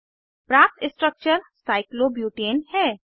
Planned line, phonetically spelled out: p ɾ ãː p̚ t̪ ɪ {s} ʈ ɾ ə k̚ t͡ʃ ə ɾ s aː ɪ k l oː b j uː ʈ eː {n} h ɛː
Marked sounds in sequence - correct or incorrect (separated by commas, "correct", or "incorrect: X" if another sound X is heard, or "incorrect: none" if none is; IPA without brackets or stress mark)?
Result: correct, correct